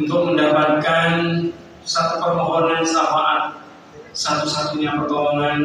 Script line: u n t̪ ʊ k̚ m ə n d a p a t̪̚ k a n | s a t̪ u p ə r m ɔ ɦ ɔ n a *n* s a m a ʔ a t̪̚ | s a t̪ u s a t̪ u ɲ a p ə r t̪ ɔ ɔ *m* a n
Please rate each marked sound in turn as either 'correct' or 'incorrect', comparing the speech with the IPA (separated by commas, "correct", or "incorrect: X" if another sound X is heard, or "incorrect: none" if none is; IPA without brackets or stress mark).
correct, incorrect: ŋ